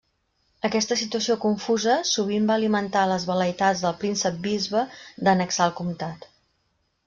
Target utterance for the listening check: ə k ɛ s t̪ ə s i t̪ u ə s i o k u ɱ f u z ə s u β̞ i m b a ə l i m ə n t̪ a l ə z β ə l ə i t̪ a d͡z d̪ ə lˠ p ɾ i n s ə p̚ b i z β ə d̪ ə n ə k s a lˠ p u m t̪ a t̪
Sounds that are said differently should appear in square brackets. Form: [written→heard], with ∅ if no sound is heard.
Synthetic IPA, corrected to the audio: ə k ɛ s t̪ ə s i t̪ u ə s i o k u ɱ f u z ə s u β̞ i m b a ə l i m ə n t̪ a l ə z β ə l ə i t̪ a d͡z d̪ ə lˠ p ɾ i n s ə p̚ b i z β ə d̪ ə n ə k s a lˠ [p→k] u m t̪ a t̪